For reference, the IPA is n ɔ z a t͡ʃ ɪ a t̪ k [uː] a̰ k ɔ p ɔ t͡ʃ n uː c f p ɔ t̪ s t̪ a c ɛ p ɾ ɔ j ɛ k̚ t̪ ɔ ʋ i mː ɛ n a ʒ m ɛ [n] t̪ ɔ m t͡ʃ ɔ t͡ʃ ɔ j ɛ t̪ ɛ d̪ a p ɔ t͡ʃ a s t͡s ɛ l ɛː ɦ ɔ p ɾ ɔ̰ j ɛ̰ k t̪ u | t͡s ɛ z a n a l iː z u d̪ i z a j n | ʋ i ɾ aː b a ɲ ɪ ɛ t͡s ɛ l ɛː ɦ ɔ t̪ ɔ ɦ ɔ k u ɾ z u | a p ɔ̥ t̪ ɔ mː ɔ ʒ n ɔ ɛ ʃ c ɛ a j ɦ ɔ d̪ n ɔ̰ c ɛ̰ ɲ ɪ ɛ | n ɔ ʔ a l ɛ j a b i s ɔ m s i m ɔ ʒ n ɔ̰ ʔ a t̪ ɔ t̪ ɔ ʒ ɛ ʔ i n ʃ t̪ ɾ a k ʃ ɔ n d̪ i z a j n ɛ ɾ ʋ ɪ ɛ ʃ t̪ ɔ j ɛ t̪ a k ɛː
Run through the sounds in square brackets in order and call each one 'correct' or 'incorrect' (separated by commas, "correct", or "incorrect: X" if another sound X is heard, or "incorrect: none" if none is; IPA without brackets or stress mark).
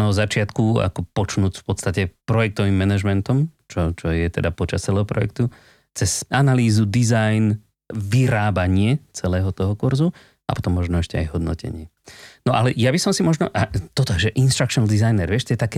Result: incorrect: u, correct